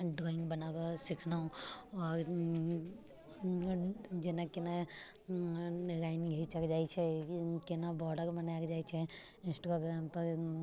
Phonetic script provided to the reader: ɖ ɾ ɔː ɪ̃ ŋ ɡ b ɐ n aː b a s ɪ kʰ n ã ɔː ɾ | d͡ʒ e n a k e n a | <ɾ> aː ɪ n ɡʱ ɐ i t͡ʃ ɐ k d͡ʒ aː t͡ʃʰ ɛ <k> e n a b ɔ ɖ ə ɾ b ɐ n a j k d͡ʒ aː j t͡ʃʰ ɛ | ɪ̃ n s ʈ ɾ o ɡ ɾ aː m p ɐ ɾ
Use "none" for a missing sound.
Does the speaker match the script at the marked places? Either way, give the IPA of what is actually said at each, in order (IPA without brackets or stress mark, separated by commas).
ɾ, k